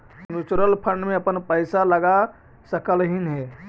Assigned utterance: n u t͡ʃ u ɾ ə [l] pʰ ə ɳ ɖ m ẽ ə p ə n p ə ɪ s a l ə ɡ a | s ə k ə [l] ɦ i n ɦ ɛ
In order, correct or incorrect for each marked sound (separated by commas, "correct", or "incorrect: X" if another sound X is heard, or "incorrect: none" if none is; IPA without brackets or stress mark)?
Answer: correct, correct